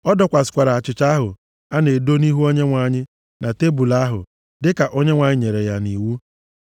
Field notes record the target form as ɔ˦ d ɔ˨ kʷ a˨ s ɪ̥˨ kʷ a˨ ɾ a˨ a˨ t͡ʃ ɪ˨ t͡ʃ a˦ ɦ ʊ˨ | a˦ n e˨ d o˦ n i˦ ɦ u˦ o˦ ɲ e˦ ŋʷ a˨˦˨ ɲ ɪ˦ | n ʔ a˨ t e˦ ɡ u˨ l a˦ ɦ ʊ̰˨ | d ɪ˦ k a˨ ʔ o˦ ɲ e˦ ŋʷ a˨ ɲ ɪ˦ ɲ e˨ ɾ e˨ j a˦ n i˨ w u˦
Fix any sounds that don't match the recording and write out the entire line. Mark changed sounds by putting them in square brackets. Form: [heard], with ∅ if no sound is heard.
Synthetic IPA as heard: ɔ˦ d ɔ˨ kʷ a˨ s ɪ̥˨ kʷ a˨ ɾ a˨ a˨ t͡ʃ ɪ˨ t͡ʃ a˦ ɦ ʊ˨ | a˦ n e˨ d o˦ n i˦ ɦ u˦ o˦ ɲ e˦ ŋʷ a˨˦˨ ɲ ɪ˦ | n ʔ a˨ t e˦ [b] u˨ l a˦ ɦ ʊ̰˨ | d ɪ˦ k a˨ ʔ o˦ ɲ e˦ ŋʷ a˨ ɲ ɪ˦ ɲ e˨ ɾ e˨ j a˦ n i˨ w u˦